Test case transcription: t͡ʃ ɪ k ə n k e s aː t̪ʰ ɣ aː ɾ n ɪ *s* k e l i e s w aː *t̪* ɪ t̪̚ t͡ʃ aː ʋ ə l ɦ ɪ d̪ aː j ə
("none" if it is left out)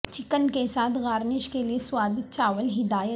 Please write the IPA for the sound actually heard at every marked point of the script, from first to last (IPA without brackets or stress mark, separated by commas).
ʃ, d̪